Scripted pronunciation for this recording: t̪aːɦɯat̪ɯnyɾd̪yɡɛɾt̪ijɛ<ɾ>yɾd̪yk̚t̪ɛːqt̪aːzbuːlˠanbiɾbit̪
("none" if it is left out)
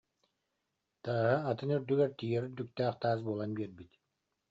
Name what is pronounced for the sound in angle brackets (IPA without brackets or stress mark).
ɾ